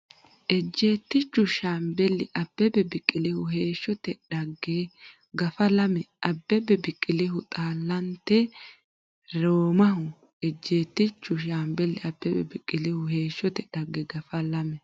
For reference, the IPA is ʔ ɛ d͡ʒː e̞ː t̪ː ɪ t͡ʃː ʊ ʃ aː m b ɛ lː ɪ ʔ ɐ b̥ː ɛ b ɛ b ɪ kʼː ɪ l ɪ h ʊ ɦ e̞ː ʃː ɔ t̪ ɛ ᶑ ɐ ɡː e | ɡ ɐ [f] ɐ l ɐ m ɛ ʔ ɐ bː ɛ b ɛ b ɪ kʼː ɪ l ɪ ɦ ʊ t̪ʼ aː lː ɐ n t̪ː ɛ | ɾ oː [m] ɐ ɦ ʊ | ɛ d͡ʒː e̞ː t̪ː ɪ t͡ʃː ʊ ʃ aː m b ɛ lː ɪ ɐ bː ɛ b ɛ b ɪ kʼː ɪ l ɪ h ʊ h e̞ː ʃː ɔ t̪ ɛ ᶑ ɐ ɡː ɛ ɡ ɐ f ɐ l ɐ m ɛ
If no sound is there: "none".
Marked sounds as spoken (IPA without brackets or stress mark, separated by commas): f, m